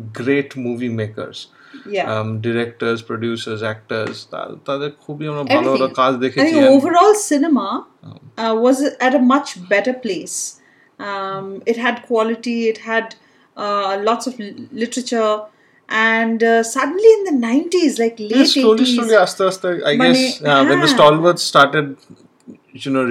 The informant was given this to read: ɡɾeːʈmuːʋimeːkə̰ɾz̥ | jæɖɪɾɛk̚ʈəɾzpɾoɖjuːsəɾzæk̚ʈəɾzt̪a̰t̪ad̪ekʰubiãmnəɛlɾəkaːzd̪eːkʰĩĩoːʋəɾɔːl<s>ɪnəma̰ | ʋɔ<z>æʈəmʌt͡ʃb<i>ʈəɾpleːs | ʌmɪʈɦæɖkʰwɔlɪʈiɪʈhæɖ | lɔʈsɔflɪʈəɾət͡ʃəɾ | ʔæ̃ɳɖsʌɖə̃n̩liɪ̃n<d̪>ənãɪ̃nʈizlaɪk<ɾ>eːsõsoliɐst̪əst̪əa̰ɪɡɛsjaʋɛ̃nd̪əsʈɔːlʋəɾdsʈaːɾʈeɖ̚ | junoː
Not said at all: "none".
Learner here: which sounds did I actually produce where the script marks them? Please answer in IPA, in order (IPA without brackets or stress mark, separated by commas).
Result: s, z, ɛ, d̪, l